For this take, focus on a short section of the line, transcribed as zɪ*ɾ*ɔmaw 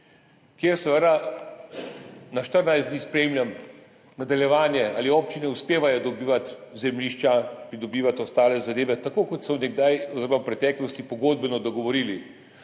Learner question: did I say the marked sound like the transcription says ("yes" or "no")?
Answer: yes